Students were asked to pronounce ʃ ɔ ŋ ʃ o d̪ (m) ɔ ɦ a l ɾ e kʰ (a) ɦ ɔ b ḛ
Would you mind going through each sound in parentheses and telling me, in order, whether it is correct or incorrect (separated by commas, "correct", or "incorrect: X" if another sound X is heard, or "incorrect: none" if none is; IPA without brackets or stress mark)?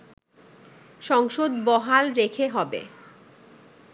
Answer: incorrect: b, incorrect: e